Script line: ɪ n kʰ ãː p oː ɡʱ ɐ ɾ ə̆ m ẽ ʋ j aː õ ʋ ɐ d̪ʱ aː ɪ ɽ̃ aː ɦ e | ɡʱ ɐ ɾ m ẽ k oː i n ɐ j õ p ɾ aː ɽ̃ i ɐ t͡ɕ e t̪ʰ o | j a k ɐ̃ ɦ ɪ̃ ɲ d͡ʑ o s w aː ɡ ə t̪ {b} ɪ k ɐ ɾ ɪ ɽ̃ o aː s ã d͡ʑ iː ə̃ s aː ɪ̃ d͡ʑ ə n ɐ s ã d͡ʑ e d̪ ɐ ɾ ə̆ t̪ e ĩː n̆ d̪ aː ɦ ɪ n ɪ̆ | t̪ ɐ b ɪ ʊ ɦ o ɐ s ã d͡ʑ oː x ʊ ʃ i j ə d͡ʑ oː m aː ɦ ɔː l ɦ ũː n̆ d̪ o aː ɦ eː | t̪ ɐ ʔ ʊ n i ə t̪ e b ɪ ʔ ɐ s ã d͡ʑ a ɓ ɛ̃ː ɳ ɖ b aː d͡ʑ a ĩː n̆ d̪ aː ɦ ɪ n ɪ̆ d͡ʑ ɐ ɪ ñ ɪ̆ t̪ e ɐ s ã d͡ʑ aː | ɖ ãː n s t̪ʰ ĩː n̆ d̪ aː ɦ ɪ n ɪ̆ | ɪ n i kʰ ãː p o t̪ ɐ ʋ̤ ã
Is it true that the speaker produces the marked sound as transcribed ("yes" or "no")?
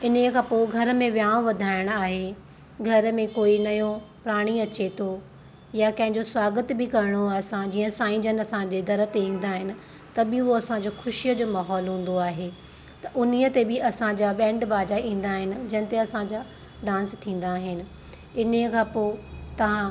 yes